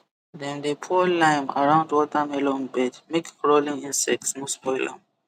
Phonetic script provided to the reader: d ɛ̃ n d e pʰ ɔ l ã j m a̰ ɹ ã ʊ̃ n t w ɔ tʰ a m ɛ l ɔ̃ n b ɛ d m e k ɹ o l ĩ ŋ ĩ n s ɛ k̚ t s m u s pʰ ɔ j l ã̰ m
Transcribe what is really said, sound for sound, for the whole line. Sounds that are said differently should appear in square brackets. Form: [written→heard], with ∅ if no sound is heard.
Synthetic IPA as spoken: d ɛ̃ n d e pʰ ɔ l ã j m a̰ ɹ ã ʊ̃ n [t→d] w ɔ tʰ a m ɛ l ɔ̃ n b ɛ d m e k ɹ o l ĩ ŋ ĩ n s ɛ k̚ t s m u s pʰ ɔ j l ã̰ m